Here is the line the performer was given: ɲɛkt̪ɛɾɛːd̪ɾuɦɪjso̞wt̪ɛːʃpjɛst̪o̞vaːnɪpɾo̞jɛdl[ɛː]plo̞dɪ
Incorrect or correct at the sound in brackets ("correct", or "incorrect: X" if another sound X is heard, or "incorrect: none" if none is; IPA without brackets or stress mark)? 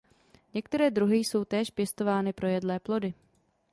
correct